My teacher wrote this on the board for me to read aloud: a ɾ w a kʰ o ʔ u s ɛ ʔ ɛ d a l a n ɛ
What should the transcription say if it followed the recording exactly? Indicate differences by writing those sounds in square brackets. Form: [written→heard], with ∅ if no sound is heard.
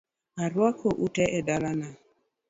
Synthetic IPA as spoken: a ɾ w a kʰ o ʔ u [s→t] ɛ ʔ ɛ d a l a n [ɛ→a]